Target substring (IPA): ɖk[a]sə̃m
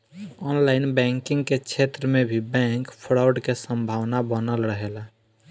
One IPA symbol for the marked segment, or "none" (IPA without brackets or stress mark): e